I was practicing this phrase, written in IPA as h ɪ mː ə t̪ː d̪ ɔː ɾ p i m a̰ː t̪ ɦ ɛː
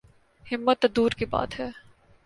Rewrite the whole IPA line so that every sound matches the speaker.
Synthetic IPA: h ɪ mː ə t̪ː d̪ uː ɾ k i b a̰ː t̪ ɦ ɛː